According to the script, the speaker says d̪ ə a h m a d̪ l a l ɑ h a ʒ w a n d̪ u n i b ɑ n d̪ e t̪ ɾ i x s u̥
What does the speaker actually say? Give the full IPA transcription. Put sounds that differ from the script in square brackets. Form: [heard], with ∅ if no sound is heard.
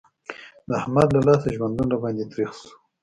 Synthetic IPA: d̪ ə a h m a d̪ l a l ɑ [s] a ʒ w a n d̪ u n [a] b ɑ n d̪ e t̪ ɾ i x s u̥